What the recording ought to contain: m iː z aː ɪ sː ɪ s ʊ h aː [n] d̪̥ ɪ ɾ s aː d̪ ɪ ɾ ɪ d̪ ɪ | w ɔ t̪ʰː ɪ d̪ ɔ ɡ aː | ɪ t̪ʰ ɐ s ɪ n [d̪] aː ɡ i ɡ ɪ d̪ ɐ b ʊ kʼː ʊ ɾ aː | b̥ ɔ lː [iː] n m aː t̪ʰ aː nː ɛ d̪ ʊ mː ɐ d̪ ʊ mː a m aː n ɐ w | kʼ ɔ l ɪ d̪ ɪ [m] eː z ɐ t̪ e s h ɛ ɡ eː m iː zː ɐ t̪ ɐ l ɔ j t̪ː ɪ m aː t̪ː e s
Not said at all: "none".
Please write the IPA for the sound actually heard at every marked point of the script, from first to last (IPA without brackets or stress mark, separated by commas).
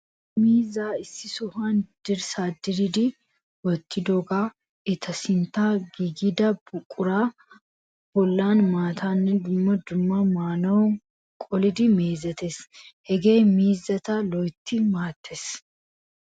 n, t̪, aː, m